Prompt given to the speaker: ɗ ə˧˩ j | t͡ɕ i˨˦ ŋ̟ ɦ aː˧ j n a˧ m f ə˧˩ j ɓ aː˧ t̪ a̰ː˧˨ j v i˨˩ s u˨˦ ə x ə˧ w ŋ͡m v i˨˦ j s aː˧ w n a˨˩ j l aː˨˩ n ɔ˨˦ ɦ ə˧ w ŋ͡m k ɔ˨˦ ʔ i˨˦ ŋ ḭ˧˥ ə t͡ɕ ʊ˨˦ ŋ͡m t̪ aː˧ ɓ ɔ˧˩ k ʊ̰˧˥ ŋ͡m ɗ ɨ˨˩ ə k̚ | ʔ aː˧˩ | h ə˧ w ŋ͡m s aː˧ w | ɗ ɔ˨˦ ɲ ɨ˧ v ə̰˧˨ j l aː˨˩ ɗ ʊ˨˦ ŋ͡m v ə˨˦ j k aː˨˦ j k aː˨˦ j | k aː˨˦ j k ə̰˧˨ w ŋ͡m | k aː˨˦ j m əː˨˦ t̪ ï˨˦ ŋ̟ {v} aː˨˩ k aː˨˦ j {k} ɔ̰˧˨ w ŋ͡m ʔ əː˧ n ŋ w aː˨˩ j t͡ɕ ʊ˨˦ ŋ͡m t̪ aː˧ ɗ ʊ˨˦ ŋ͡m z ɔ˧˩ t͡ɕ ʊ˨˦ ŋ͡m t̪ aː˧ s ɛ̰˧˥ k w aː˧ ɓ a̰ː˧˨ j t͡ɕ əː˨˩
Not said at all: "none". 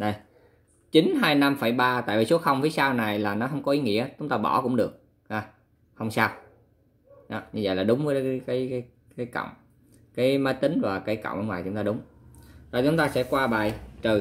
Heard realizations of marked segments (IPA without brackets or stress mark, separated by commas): v, k